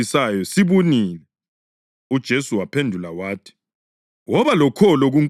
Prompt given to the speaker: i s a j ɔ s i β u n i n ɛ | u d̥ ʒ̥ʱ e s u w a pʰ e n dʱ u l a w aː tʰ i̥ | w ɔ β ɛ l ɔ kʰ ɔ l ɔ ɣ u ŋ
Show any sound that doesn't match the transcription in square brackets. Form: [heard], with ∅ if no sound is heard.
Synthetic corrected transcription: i s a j ɔ s i β u n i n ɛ | u d̥ ʒ̥ʱ e s u w a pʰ e n dʱ u l a w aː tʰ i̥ | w ɔ β [a] l ɔ kʰ ɔ l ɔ ɣ u ŋ